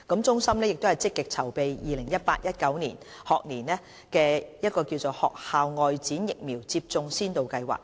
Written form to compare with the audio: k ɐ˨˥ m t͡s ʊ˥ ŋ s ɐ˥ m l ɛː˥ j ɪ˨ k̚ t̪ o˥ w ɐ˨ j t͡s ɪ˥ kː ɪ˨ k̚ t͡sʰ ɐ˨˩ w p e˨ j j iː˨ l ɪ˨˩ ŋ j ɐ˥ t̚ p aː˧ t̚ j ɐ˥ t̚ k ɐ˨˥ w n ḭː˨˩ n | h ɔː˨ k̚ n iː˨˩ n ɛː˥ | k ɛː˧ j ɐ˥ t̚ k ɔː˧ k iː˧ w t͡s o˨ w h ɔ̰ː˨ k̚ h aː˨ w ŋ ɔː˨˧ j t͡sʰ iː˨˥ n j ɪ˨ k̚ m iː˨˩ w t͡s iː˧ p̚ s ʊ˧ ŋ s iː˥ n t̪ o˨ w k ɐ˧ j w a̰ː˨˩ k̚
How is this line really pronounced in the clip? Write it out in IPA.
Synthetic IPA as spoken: k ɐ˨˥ m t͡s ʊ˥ ŋ s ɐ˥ m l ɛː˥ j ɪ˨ k̚ t̪ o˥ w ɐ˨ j t͡s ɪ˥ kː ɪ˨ k̚ t͡sʰ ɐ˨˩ w p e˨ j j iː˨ l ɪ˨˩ ŋ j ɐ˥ t̚ p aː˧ t̚ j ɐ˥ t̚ k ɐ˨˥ w n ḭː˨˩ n | h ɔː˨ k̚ n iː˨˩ n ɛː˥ | k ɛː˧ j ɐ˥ t̚ k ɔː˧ k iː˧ w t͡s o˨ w h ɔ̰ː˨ k̚ h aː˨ w ŋ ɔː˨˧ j t͡s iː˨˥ n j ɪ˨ k̚ m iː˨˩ w t͡s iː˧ p̚ t͡s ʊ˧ ŋ s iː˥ n t̪ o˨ w k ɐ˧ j w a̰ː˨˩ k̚